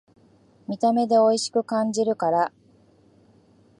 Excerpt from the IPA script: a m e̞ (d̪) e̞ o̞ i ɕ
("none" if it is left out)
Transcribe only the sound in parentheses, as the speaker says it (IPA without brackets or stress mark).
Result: d̪